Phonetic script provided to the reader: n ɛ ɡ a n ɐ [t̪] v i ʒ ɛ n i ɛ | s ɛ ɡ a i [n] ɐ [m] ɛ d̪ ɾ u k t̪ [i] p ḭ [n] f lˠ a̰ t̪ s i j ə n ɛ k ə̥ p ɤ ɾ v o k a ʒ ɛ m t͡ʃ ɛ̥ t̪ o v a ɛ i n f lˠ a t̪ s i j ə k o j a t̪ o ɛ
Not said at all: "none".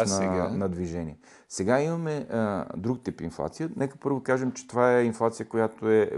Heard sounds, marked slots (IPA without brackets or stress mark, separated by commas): d̪, m, m, i, n